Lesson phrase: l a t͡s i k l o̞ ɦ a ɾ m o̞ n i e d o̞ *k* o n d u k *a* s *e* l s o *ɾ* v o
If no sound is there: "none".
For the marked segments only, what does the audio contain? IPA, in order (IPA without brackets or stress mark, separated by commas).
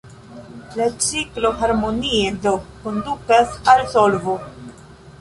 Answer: k, a, a, l